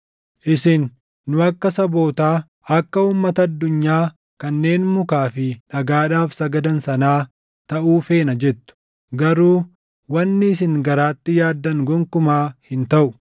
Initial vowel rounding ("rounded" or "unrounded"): unrounded